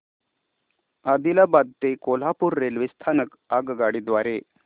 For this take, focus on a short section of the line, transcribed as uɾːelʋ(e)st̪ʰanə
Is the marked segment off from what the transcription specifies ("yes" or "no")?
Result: yes